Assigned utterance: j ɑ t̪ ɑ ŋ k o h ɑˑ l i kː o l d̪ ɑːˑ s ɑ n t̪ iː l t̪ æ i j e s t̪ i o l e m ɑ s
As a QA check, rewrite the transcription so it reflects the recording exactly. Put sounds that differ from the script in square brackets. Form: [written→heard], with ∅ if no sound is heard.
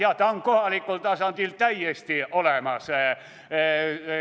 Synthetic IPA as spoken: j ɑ t̪ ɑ ŋ k o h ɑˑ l i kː o l [d̪→t̪] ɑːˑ s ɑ n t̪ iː l t̪ æ i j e s t̪ i o l e m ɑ s